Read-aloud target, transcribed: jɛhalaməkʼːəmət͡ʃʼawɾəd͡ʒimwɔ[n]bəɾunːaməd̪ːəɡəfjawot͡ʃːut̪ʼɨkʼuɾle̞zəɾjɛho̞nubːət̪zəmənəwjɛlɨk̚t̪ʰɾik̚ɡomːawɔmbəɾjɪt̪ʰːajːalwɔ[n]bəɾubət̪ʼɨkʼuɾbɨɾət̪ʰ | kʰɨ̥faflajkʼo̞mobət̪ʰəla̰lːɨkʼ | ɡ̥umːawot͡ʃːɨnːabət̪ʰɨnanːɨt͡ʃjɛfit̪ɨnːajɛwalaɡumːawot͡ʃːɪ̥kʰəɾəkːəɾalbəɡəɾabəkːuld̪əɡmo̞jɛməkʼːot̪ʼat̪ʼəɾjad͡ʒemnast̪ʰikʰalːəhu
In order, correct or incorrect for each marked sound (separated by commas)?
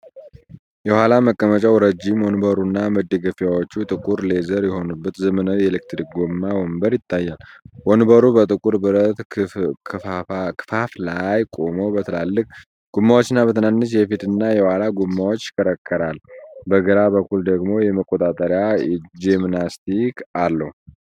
correct, correct